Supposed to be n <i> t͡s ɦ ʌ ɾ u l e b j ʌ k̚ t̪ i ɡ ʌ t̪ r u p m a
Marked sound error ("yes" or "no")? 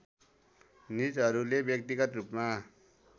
no